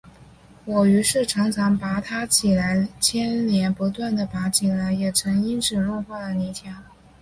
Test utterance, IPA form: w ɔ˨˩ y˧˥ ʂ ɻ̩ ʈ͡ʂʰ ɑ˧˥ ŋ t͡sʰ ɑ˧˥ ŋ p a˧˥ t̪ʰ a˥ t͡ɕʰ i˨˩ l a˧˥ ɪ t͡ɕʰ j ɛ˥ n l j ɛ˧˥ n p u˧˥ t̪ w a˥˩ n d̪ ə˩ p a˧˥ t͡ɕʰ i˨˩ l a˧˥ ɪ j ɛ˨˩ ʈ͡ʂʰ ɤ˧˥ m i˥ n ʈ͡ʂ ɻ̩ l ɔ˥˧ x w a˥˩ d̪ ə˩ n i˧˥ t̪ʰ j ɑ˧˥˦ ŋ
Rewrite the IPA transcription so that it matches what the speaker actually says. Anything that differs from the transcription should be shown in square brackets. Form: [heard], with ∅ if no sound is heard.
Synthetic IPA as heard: w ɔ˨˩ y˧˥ ʂ ɻ̩ ʈ͡ʂʰ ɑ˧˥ ŋ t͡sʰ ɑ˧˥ ŋ p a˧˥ t̪ʰ a˥ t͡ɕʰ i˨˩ l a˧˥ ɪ t͡ɕʰ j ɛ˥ n l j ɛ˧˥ n p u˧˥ t̪ w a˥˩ n d̪ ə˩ p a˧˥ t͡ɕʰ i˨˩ l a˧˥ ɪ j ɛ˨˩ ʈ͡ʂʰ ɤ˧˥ [ŋ] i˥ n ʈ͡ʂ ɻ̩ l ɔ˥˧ x w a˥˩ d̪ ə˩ n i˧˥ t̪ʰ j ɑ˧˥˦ ŋ

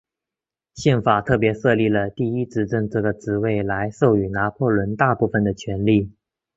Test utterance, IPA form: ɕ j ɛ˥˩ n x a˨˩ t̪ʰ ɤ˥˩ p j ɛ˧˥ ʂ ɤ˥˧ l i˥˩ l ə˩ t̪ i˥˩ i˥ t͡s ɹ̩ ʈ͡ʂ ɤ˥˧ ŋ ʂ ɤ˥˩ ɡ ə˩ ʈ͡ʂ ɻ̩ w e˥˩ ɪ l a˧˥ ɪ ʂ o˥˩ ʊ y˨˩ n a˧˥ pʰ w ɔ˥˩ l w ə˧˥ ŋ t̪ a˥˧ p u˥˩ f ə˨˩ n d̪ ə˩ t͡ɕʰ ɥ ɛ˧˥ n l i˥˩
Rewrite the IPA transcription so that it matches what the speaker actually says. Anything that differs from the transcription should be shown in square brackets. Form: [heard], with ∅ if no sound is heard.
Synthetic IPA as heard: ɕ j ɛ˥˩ n [f] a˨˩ t̪ʰ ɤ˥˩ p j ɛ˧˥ ʂ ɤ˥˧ l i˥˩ l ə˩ t̪ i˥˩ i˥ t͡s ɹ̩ ʈ͡ʂ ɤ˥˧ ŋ [ʈ͡ʂ] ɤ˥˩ ɡ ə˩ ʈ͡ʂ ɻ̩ w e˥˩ ɪ l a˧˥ ɪ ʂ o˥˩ ʊ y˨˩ n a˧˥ pʰ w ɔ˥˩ l w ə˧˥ [n] t̪ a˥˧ p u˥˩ f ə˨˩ n d̪ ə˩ t͡ɕʰ ɥ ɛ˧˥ n l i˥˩

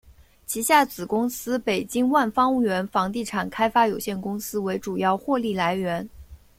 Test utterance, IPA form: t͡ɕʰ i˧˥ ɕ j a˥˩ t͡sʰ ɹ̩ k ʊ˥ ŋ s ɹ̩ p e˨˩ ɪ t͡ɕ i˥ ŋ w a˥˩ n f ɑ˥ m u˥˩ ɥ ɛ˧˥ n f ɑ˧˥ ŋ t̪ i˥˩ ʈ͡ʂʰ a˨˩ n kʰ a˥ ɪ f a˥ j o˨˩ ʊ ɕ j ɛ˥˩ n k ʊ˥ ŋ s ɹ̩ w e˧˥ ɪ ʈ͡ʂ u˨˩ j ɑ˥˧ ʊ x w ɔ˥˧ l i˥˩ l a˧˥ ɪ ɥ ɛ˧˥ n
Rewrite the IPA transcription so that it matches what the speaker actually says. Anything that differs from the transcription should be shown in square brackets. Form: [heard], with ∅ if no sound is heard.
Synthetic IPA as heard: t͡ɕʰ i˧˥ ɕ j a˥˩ [t͡s] ɹ̩ k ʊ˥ ŋ s ɹ̩ p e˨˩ ɪ t͡ɕ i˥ ŋ w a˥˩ n f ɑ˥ [ŋ] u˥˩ ɥ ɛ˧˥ n f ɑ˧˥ ŋ t̪ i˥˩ ʈ͡ʂʰ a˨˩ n kʰ a˥ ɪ f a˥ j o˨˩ ʊ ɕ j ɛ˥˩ n k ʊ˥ ŋ s ɹ̩ w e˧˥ ɪ ʈ͡ʂ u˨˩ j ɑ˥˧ ʊ x w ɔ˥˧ l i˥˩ l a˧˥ ɪ ɥ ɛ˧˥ n

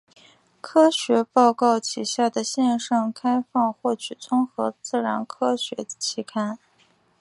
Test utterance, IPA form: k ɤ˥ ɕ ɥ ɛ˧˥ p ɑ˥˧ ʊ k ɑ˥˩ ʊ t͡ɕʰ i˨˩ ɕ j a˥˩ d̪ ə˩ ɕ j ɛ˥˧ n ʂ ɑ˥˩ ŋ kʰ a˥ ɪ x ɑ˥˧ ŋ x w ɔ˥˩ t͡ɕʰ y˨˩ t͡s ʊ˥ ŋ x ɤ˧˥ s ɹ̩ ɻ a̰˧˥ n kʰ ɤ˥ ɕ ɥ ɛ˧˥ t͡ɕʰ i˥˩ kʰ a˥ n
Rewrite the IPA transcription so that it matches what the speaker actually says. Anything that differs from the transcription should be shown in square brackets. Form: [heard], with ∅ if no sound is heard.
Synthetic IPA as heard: [kʰ] ɤ˥ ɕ ɥ ɛ˧˥ p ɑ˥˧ ʊ k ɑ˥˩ ʊ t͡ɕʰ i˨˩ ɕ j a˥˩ d̪ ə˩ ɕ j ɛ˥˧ n ʂ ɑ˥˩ ŋ kʰ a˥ ɪ [f] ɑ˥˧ ŋ x w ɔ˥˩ t͡ɕʰ y˨˩ t͡s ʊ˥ ŋ x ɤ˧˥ [t͡s] ɹ̩ ɻ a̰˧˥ n kʰ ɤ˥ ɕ ɥ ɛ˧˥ t͡ɕʰ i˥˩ kʰ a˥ n

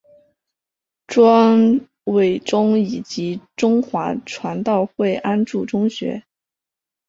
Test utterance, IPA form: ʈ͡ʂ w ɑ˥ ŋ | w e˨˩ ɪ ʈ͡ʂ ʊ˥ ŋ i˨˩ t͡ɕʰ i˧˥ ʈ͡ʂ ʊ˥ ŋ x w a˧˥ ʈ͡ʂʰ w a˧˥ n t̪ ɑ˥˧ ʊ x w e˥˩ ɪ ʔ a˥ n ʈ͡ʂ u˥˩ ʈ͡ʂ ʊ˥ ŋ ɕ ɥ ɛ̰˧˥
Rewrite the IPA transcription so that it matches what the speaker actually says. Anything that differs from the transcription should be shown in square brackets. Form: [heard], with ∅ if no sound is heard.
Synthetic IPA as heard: ʈ͡ʂ w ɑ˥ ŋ | w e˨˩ ɪ ʈ͡ʂ ʊ˥ ŋ i˨˩ [t͡ɕ] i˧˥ ʈ͡ʂ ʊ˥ ŋ x w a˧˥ ʈ͡ʂʰ w a˧˥ n t̪ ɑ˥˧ ʊ x w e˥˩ ɪ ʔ a˥ n ʈ͡ʂ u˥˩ ʈ͡ʂ ʊ˥ ŋ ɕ ɥ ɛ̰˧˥

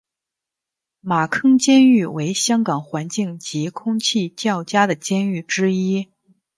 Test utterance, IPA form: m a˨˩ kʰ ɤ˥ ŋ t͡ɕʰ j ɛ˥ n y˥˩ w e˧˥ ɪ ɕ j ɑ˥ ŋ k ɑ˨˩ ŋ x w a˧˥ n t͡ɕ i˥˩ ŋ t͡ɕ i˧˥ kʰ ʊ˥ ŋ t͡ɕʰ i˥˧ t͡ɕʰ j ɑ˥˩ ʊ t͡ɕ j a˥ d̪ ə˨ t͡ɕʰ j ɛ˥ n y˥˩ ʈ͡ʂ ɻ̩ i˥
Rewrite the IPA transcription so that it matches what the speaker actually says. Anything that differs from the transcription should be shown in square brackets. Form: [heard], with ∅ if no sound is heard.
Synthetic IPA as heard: m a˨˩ kʰ ɤ˥ ŋ [t͡ɕ] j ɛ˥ n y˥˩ w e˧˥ ɪ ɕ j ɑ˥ ŋ k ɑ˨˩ ŋ x w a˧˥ n t͡ɕ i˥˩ ŋ t͡ɕ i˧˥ kʰ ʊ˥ ŋ t͡ɕʰ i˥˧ [t͡ɕ] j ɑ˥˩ ʊ t͡ɕ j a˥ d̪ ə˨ [t͡ɕ] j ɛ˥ n y˥˩ ʈ͡ʂ ɻ̩ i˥

